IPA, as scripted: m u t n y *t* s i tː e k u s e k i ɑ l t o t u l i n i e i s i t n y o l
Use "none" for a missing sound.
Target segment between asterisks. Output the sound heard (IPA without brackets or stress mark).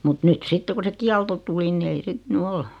t